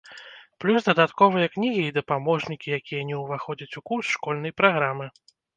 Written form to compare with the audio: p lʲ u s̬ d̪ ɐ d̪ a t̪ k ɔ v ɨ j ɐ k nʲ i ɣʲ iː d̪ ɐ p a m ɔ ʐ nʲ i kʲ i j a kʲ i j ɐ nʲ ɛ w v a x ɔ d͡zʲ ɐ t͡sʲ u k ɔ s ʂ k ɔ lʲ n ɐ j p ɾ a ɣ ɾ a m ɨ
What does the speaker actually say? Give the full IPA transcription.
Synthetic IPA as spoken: p lʲ u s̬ d̪ ɐ d̪ a t̪ k ɔ v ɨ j ɐ k nʲ i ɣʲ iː d̪ ɐ p a m ɔ ʐ nʲ i kʲ i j a kʲ i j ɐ nʲ ɛ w v a x ɔ d͡zʲ ɐ t͡sʲ u k u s ʂ k ɔ lʲ n ɐ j p ɾ a ɣ ɾ a m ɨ